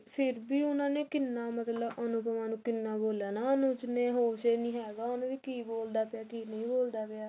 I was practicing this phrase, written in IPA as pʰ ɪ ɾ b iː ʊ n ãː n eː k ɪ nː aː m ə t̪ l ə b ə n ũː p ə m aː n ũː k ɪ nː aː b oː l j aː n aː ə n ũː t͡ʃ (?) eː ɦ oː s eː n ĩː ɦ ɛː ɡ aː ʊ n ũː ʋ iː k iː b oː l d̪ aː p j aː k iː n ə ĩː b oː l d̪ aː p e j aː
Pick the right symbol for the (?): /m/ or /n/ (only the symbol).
n